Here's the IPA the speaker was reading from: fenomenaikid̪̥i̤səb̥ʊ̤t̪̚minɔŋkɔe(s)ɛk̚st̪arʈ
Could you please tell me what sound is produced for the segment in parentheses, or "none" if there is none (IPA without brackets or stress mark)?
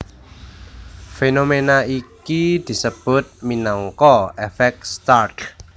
f